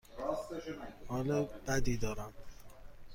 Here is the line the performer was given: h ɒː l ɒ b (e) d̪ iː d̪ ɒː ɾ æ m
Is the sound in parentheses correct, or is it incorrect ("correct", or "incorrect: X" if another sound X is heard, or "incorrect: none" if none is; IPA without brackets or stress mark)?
incorrect: æ